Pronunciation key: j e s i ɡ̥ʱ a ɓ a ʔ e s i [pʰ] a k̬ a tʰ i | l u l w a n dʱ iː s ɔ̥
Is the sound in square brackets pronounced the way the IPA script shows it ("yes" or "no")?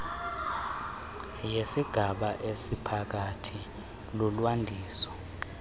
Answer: yes